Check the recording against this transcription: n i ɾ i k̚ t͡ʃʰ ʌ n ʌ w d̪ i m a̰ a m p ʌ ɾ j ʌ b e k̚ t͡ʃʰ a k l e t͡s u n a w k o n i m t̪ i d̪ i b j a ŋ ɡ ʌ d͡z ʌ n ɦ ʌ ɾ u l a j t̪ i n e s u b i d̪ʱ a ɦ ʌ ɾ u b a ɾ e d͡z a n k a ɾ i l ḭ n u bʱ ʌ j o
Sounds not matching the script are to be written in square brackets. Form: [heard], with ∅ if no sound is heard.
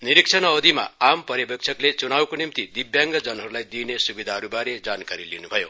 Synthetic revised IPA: n i ɾ i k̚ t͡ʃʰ ʌ n ʌ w d̪ i m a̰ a m p ʌ ɾ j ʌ b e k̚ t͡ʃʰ [ʌ] k l e t͡s u n a w k o n i m t̪ i d̪ i b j a ŋ ɡ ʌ d͡z ʌ n ɦ ʌ ɾ u l a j [d̪] i n e s u b i d̪ʱ a ɦ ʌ ɾ u b a ɾ e d͡z a n k a ɾ i l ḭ n u bʱ ʌ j o